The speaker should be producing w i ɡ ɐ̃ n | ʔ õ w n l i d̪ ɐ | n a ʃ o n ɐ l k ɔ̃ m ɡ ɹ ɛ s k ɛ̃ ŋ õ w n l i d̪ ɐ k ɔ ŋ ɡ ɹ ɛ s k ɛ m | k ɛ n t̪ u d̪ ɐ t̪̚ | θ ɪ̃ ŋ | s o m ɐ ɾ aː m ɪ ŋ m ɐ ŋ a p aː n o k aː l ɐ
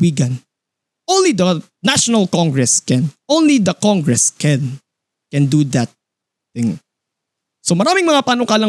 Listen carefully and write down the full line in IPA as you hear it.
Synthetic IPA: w i ɡ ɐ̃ n | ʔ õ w n l i d̪ ɐ | n a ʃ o n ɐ l k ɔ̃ ŋ ɡ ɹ ɛ s k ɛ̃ n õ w n l i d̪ ɐ k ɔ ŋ ɡ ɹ ɛ s k ɛ n | k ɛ n d̪ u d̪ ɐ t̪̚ | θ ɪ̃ ŋ | s o m ɐ ɾ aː m ɪ ŋ m ɐ ŋ a p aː n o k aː l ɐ